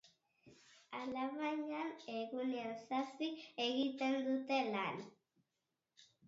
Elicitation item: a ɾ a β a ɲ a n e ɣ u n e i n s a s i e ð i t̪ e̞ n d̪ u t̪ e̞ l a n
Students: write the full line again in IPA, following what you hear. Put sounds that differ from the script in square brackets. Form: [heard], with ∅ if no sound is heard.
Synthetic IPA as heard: a [l] a β a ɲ a n e ɣ u n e [a] n s a s i e [ɣ] i t̪ e̞ n d̪ u t̪ e̞ l a n